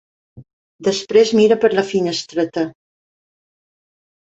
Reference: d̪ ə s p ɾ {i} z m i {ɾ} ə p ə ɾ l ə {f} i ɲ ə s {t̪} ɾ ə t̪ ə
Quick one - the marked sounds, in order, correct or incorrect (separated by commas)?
incorrect, correct, correct, correct